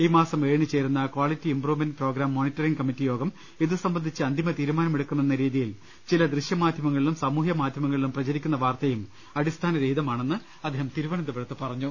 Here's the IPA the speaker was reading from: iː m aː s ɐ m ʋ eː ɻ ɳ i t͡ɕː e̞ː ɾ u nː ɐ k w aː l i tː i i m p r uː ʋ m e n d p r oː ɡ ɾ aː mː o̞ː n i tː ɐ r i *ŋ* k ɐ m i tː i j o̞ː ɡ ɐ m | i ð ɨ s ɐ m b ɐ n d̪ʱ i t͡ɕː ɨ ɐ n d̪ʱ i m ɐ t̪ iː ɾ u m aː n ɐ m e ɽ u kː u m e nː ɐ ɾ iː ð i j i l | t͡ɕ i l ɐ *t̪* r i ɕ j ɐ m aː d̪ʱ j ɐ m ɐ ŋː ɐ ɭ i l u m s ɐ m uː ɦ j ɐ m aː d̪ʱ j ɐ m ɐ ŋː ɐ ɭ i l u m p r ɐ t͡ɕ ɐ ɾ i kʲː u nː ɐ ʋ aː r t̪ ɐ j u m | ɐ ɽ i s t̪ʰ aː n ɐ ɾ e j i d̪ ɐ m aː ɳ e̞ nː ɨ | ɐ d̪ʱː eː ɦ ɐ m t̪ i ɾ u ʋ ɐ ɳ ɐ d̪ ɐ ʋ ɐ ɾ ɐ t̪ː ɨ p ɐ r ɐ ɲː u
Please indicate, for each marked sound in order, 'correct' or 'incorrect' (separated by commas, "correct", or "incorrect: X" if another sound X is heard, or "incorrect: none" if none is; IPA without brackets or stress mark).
correct, incorrect: d̪